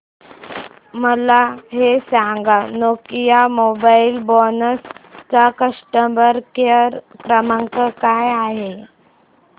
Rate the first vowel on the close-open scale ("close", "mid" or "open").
mid